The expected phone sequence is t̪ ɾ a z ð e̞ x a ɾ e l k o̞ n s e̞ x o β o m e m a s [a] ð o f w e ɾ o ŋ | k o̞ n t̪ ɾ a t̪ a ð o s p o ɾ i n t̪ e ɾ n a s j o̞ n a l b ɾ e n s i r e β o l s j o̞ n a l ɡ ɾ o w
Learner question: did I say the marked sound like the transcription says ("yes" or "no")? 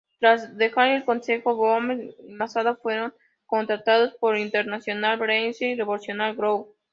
yes